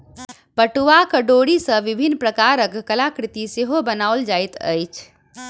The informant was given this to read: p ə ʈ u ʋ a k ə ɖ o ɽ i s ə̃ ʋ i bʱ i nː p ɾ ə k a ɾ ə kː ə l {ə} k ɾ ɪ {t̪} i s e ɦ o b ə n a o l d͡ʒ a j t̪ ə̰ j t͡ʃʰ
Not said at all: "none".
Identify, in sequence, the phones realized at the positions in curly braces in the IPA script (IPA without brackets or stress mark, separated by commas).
a, t̪